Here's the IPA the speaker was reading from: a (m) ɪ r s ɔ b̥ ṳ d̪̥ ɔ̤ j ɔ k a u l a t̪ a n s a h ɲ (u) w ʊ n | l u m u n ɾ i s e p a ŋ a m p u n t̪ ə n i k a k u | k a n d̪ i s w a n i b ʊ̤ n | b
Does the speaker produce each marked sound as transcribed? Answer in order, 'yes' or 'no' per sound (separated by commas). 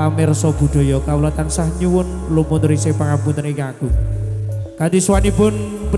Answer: yes, yes